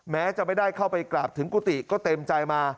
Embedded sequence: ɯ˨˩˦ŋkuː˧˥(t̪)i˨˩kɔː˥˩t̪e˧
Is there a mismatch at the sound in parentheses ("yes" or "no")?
no